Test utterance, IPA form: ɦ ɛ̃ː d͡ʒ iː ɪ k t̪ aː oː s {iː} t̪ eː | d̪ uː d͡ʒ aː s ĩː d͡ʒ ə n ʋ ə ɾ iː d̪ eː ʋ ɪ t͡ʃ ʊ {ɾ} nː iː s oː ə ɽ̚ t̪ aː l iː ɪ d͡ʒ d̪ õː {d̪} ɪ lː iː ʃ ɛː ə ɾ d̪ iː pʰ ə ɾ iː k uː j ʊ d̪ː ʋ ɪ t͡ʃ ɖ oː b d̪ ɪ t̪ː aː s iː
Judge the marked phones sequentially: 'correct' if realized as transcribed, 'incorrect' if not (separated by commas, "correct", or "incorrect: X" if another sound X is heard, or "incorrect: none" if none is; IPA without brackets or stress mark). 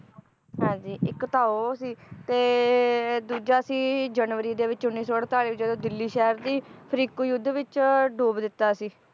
correct, incorrect: none, correct